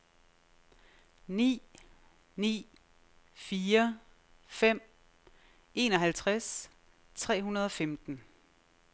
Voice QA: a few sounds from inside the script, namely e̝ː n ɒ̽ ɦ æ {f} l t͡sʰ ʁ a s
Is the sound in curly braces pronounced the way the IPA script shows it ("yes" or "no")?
no